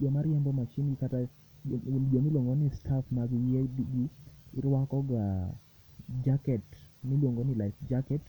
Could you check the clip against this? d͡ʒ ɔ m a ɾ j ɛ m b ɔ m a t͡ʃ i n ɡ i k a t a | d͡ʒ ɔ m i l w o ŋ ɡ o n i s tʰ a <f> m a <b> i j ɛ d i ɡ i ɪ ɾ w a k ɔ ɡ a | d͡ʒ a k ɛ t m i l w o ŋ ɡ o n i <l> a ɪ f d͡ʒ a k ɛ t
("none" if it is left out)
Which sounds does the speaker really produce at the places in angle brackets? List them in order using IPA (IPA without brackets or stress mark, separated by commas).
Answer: f, ɡ, l